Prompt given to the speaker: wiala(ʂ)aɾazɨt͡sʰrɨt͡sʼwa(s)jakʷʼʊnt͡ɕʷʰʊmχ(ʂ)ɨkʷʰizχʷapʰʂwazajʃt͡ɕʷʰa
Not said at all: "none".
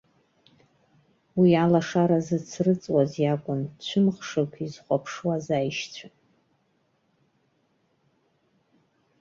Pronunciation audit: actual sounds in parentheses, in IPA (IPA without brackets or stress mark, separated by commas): ʂ, z, ʂ